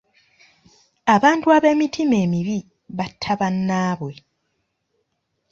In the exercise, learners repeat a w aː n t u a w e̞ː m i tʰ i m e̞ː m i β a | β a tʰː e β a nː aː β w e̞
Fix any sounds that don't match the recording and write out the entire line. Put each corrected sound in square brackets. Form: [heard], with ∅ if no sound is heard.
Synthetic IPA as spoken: a [β] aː n t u a [β] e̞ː m i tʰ i m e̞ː m i β [i] | β a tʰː [a] β a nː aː β w e̞